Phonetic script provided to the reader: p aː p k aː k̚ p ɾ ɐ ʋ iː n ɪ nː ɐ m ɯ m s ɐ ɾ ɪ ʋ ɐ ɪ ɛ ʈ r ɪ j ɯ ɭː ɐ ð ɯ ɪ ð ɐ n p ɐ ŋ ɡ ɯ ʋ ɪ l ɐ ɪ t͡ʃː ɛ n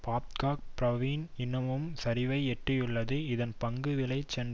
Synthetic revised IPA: p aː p k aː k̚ p ɾ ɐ ʋ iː n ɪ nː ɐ m ɯ m s ɐ ɾ ɪ ʋ ɐ ɪ ɛ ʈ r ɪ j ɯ ɭː ɐ ð ɯ ɪ ð ɐ n p ɐ ŋ ɡ ɯ ʋ ɪ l ɐ ɪ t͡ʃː ɛ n